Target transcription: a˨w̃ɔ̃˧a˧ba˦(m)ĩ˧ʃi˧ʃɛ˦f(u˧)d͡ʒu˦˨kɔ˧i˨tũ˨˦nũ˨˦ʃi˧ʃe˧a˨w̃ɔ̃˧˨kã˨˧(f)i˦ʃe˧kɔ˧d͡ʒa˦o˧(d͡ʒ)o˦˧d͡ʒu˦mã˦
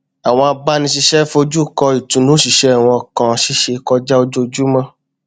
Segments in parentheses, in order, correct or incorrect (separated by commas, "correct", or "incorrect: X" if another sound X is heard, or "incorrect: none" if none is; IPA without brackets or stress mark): incorrect: n, incorrect: o˧, incorrect: ʃ, correct